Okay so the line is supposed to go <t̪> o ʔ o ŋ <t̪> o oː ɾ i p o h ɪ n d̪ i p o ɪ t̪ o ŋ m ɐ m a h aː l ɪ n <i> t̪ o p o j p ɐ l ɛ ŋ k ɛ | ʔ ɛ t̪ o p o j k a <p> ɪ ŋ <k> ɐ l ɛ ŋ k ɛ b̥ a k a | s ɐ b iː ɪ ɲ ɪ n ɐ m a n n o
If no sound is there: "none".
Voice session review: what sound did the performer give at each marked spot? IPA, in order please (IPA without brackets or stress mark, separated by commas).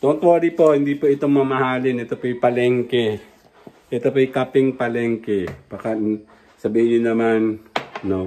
t̪, t̪, ɛ, p, p